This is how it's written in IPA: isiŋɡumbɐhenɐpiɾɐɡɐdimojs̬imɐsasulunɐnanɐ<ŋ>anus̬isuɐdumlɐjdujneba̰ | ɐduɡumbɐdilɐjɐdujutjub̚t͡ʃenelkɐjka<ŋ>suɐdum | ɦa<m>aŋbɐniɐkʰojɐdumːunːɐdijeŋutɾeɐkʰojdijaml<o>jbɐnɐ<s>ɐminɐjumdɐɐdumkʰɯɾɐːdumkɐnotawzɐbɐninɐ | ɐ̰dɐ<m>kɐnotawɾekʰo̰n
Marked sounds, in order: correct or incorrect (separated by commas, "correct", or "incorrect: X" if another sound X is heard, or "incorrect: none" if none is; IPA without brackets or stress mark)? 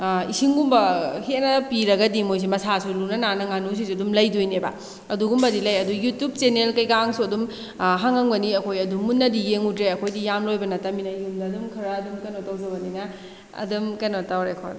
correct, correct, incorrect: ŋ, correct, incorrect: t, correct